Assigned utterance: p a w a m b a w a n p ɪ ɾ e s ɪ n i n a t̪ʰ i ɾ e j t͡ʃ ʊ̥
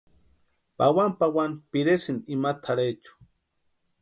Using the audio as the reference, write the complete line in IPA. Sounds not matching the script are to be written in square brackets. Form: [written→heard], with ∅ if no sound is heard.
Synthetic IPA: p a w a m [b→p] a w a n p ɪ ɾ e s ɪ n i [n→m] a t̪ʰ [i→a] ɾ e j t͡ʃ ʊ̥

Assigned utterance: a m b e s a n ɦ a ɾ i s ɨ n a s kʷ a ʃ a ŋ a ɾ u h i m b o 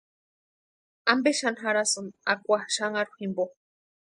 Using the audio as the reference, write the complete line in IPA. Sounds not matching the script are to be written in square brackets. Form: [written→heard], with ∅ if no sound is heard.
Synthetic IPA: a m b e [s→ʃ] a n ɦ a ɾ [i→a] s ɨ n a [s→∅] kʷ a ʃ a ŋ a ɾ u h i m b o

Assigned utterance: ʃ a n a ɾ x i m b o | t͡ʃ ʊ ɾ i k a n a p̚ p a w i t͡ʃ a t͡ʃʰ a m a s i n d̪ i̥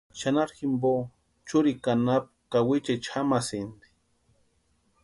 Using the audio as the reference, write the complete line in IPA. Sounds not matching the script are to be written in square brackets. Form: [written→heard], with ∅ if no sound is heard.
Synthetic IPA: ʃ a n a ɾ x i m b o | t͡ʃ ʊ ɾ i k a n a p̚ [p→k] a w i t͡ʃ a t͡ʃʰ a m a s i n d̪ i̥

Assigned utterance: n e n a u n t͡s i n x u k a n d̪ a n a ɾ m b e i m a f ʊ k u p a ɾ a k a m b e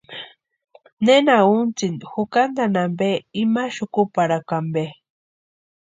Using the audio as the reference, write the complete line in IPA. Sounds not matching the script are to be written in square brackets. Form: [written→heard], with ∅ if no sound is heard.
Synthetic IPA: n e n a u n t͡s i n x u k a n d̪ a n a [ɾ→∅] m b e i m a [f→ʃ] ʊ k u p a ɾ a k a m b e

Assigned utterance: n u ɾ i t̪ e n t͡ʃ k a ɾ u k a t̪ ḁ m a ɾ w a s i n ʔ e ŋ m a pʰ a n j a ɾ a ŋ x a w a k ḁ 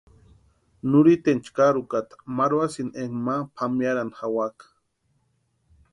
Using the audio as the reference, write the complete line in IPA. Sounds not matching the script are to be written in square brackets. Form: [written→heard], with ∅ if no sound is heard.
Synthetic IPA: n u ɾ i t̪ e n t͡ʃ k a ɾ u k a t̪ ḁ m a ɾ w a s i n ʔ e ŋ m a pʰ a [n→m] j a ɾ a [ŋ→n] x a w a k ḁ

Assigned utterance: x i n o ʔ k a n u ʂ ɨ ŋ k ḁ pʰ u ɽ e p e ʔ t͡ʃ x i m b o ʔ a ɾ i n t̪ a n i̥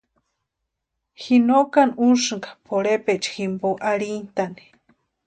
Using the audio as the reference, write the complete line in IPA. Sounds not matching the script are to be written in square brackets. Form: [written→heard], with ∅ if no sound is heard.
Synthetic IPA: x i n o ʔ k a n u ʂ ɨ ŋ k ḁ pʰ [u→o] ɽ e p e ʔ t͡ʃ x i m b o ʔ a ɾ i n t̪ a n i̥

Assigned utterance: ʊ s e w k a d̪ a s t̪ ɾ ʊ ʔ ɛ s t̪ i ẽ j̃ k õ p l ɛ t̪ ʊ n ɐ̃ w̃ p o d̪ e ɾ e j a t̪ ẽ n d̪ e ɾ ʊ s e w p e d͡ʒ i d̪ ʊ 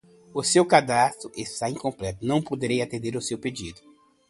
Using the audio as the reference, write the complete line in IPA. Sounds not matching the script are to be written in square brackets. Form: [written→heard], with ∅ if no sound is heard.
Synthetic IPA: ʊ s e w k a d̪ a s t̪ ɾ ʊ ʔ [ɛ→e] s t̪ [i→a] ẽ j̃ k õ p l ɛ t̪ ʊ n ɐ̃ w̃ p o d̪ e ɾ e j a t̪ ẽ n d̪ e ɾ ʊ s e w p e d͡ʒ i d̪ ʊ

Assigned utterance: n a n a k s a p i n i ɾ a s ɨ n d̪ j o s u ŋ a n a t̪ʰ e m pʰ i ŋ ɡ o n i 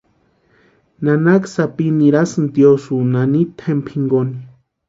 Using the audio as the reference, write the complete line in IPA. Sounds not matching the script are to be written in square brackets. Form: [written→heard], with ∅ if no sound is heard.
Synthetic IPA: n a n a k s a p i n i ɾ a s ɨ n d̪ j o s u [ŋ→n] a n [a→i] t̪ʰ e m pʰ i ŋ ɡ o n i

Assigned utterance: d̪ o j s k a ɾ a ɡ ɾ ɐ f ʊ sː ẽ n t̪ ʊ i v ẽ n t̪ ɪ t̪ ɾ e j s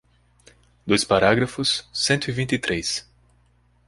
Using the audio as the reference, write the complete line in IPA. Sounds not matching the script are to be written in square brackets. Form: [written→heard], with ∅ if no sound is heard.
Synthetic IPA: d̪ o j s [k→p] a ɾ a ɡ ɾ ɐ f ʊ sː ẽ n t̪ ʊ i v [ẽ→ĩ] n t̪ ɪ t̪ ɾ e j s

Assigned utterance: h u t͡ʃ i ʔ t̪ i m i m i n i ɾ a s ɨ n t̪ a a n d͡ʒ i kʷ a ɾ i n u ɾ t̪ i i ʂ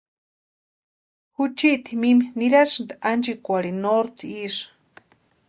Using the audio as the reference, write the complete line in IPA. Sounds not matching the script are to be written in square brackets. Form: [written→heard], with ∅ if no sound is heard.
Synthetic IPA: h u t͡ʃ i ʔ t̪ i m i m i n i ɾ a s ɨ n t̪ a a n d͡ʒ i kʷ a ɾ i n [u→o] ɾ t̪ i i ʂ

